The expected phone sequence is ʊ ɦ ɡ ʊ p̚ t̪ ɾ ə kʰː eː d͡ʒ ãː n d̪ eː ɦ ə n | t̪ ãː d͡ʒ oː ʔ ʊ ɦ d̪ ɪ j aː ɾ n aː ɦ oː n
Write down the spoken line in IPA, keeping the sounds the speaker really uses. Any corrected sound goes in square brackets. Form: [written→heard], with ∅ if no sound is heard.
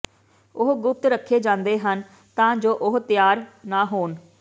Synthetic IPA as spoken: ʊ ɦ ɡ ʊ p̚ t̪ ɾ ə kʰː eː d͡ʒ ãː n d̪ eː ɦ ə n | t̪ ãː d͡ʒ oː ʔ ʊ ɦ [d̪→t̪] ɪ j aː ɾ n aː ɦ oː n